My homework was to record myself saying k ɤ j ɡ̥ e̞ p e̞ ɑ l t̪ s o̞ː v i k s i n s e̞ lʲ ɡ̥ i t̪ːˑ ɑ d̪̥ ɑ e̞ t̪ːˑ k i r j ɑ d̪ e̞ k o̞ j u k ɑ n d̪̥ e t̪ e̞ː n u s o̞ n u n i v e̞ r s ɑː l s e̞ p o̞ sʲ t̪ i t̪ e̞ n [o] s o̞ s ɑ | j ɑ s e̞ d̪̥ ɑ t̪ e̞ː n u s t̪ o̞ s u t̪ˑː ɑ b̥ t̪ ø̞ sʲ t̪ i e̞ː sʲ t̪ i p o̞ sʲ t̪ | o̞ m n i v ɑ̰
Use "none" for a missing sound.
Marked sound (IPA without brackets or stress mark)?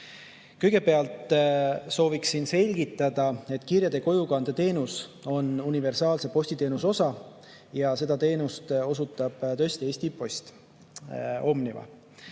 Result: u